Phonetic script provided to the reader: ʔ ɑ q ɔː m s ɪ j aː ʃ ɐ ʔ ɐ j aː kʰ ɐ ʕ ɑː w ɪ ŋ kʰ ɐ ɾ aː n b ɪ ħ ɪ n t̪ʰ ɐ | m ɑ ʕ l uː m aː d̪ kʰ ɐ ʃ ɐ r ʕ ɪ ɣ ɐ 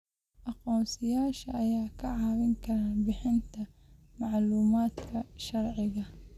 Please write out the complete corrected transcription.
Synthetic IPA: ʔ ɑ q ɔː m s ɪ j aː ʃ ɐ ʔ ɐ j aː kʰ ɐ ʕ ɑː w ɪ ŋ kʰ ɐ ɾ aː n b ɪ ħ ɪ n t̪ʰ ɐ | m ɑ ʕ l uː m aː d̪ kʰ ɐ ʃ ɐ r ʕ ɪ ɣ ɐ